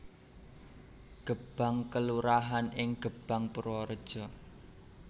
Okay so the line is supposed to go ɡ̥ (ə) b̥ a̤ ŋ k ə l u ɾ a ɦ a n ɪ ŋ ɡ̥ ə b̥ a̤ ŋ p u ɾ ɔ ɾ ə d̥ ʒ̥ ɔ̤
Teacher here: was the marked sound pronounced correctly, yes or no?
yes